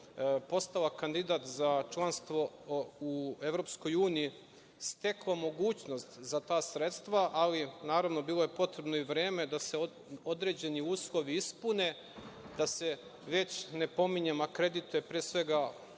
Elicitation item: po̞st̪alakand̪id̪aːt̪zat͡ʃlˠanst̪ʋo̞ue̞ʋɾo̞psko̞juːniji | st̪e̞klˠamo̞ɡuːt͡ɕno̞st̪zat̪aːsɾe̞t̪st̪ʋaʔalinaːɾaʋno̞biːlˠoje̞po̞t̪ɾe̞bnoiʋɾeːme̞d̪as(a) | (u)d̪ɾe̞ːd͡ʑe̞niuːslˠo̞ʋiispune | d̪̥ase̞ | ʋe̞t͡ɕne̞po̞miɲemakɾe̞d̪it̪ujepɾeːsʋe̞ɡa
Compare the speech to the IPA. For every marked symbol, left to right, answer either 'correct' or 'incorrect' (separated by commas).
incorrect, incorrect